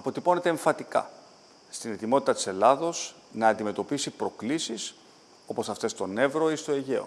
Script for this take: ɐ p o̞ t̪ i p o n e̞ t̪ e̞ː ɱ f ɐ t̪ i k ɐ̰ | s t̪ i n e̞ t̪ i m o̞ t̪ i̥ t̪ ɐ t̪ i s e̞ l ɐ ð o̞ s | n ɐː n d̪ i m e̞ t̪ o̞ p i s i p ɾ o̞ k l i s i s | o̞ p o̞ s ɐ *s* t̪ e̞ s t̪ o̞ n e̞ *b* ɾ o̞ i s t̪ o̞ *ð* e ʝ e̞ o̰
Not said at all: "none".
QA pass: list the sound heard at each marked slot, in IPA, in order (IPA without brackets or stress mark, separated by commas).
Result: f, v, none